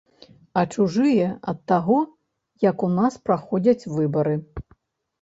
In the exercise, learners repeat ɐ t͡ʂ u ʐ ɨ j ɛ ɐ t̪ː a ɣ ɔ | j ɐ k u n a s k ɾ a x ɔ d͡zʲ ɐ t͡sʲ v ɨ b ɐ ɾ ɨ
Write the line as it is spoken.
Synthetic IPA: ɐ t͡ʂ u ʐ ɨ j ɛ ɐ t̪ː a ɣ ɔ | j ɐ k u n a s p ɾ a x ɔ d͡zʲ ɐ t͡sʲ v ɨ b ɐ ɾ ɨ